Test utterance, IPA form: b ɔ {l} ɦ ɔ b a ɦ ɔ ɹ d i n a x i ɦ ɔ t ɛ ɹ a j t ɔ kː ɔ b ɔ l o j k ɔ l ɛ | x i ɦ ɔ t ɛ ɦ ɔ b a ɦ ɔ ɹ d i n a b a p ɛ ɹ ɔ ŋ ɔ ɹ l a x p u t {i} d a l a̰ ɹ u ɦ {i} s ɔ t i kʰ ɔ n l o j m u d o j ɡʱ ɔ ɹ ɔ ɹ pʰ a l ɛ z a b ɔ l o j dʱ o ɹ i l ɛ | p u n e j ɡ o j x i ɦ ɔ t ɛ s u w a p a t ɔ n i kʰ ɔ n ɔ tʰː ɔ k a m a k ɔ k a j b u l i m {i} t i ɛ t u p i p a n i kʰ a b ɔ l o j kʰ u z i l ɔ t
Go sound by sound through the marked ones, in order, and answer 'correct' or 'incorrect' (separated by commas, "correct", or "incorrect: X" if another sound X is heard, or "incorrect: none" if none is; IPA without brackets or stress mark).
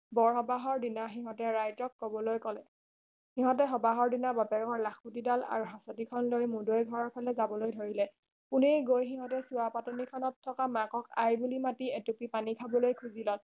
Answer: incorrect: ɹ, correct, incorrect: a, incorrect: a